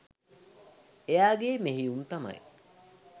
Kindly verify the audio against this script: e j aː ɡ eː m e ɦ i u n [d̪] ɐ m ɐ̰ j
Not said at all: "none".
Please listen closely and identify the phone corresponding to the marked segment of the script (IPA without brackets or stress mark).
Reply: t̪